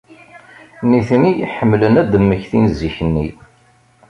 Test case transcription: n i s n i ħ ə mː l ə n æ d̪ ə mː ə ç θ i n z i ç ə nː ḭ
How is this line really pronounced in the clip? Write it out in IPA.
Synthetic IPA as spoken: n i θ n i ħ ə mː l ə n æ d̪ ə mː ə ç θ i n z i ç ə nː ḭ